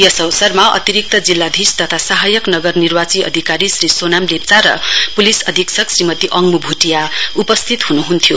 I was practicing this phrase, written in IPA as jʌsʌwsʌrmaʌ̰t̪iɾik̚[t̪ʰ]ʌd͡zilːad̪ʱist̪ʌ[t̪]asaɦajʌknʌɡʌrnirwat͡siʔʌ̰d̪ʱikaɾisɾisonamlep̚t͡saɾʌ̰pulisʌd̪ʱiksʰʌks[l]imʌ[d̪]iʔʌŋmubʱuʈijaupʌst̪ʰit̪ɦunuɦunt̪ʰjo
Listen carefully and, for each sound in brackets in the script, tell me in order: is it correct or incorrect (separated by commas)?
incorrect, incorrect, incorrect, incorrect